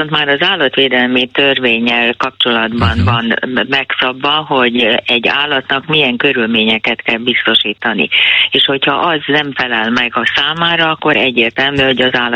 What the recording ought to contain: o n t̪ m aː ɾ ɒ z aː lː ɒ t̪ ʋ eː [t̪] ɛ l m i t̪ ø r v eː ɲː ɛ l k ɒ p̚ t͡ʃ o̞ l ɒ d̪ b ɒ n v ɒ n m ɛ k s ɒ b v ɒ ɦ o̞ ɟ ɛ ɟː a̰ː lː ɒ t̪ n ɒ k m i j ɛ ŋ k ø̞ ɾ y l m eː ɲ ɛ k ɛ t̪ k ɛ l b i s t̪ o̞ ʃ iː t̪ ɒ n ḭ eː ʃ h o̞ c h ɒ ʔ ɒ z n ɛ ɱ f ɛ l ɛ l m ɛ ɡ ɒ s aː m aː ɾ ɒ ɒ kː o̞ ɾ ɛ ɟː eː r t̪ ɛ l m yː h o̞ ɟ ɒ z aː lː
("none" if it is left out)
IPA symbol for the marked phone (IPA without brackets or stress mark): d̪